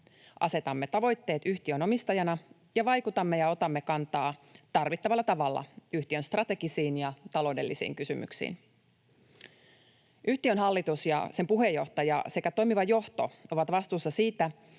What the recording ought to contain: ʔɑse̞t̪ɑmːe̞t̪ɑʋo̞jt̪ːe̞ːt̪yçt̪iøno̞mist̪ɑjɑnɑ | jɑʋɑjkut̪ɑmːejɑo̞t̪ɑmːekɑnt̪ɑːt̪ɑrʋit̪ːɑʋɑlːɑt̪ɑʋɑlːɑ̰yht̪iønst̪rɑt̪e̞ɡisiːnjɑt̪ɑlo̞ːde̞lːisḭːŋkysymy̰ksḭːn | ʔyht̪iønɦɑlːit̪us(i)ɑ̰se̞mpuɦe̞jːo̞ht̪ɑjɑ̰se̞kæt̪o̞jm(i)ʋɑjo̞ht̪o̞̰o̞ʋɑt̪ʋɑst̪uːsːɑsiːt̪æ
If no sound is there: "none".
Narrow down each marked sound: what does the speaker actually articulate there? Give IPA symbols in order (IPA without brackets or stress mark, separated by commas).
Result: j, i